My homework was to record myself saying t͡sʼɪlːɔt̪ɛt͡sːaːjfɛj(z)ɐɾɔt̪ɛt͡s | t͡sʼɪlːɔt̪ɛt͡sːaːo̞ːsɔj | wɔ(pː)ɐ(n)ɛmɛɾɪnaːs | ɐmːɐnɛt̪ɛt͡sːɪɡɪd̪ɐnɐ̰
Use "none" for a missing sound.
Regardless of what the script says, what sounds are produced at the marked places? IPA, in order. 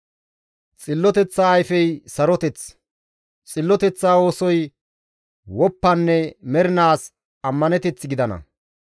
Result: s, pː, nː

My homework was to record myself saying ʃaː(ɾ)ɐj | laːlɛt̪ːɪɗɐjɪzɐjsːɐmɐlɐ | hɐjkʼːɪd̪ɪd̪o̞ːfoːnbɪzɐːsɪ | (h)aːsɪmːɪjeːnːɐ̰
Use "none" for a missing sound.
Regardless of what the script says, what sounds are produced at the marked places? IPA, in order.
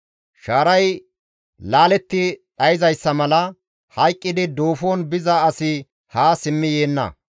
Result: ɾ, h

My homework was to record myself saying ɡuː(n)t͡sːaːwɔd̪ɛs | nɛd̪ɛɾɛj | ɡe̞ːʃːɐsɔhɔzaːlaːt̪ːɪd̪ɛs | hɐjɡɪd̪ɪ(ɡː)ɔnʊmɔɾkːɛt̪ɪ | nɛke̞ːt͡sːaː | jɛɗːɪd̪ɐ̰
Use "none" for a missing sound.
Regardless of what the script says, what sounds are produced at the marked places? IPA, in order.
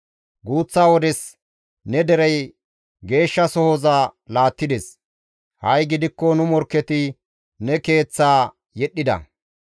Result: none, kː

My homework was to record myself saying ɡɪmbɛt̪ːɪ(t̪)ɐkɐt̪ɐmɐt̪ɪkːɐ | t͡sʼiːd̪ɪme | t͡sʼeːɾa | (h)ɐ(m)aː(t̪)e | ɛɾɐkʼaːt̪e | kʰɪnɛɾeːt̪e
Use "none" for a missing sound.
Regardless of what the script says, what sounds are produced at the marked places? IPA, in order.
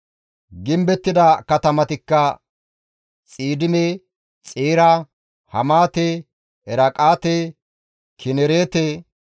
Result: d̪, h, m, t̪

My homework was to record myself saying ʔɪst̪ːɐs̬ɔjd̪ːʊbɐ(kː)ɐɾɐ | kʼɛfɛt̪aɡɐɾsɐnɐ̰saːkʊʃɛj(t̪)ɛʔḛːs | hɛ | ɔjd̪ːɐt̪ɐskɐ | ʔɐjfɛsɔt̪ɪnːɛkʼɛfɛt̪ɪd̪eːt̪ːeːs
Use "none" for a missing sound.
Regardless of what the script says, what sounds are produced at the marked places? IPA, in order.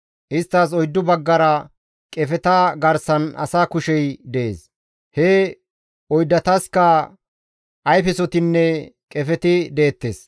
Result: ɡː, d̪

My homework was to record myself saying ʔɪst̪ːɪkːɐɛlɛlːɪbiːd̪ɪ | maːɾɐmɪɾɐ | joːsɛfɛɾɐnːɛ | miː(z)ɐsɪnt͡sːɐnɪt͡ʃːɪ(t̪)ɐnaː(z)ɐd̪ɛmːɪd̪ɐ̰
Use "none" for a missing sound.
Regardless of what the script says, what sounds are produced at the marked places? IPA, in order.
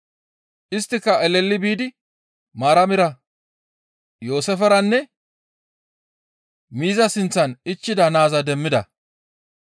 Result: z, d̪, z

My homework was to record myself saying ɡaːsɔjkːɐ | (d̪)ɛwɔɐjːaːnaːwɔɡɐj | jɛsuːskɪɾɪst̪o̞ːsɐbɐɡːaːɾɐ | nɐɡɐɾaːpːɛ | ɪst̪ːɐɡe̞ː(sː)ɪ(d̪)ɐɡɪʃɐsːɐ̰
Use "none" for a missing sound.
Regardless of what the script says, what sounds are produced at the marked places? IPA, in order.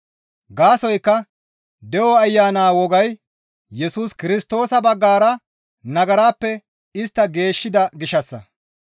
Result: d̪, ʃː, d̪

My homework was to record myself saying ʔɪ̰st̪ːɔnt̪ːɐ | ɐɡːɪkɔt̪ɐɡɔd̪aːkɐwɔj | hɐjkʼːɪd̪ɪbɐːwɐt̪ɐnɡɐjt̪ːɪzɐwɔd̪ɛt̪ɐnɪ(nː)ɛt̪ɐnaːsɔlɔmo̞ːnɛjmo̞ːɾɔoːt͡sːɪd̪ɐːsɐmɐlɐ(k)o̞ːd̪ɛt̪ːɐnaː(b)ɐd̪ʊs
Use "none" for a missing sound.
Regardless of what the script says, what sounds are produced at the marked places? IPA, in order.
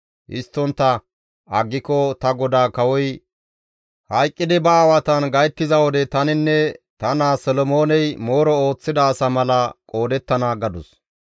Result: nː, kʼ, ɡ

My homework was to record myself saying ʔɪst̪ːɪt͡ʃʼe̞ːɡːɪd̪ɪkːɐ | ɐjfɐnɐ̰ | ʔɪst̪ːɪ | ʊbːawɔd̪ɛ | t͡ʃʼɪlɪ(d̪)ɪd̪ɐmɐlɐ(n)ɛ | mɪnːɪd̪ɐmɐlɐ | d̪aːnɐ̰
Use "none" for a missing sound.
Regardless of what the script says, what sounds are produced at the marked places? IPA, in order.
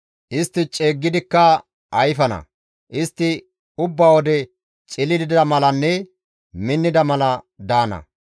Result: d̪, nː

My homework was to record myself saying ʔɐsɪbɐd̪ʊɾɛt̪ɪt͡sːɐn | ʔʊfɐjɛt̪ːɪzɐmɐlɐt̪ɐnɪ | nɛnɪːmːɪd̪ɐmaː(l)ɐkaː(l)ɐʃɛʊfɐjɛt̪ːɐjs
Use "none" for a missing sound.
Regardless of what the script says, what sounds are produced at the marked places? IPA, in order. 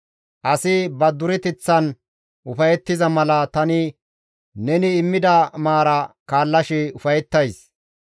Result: ɾ, lː

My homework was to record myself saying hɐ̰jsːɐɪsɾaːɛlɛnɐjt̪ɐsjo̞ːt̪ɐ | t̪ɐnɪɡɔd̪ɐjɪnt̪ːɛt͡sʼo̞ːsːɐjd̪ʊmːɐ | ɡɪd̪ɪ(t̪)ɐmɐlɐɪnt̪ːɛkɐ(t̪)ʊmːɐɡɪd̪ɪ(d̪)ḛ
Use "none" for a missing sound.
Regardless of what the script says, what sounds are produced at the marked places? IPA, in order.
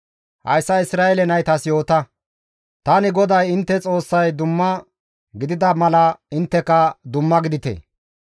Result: d̪, d̪, t̪

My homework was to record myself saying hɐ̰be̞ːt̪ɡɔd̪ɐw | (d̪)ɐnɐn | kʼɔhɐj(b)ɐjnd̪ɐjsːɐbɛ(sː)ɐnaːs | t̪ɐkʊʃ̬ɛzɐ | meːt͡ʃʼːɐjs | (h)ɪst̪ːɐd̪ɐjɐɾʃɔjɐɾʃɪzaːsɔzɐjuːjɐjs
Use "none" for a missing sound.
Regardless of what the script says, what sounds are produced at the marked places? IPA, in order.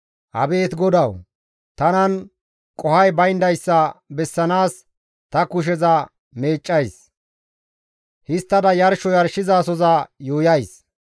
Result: t̪, b, sː, h

